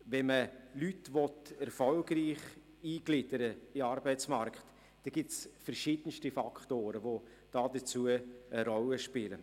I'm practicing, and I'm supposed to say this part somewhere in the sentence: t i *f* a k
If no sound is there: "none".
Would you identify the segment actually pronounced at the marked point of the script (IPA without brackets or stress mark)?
f